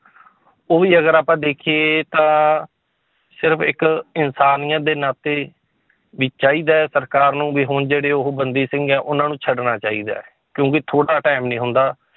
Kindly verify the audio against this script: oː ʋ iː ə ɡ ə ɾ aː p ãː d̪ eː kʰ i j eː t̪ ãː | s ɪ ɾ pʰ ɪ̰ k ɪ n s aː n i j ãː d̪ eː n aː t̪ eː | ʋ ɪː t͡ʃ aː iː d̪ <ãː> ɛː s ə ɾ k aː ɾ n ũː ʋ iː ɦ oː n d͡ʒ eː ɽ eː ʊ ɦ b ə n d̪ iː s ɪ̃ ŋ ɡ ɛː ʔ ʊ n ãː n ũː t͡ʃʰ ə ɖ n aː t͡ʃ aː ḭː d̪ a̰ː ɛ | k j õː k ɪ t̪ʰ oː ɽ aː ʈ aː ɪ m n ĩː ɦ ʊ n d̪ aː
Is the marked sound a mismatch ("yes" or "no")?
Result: yes